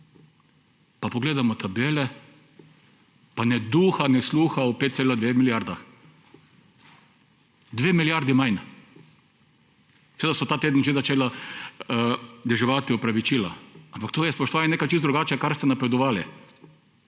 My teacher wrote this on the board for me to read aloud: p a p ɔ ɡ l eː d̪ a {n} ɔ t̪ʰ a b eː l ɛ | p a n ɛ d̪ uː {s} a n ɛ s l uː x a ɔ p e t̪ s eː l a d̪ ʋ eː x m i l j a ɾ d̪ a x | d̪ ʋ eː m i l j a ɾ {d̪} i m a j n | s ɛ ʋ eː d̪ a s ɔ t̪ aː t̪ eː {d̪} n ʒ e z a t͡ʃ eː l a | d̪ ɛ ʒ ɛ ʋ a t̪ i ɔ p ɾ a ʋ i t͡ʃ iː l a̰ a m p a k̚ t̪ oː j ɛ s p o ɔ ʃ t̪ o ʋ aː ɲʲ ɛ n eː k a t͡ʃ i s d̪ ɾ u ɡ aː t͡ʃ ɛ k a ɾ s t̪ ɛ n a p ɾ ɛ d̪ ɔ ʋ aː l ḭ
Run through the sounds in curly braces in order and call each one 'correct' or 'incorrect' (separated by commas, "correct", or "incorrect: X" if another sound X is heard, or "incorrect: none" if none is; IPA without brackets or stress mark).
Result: incorrect: m, incorrect: x, correct, correct